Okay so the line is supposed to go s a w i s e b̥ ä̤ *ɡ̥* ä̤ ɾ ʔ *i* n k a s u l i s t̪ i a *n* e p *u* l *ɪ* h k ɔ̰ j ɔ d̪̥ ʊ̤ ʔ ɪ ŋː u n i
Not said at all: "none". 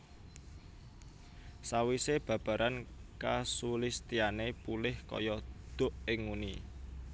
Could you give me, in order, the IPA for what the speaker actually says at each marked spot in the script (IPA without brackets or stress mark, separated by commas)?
b̥, a, n, u, ɪ